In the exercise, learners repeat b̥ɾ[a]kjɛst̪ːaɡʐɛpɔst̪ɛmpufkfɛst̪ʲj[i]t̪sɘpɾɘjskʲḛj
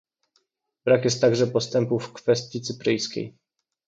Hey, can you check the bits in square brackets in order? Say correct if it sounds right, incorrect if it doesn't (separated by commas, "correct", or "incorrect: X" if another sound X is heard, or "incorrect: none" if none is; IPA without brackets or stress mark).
correct, correct